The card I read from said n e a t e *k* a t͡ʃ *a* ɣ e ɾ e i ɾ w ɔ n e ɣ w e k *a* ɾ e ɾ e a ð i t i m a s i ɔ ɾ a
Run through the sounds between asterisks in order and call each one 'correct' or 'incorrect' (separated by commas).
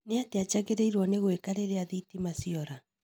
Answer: incorrect, correct, correct